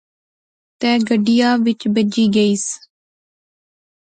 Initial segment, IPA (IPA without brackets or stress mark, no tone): t̪